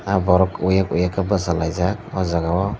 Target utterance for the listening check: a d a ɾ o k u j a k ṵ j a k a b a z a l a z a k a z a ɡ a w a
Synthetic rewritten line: a b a ɾ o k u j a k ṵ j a k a b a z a l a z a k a z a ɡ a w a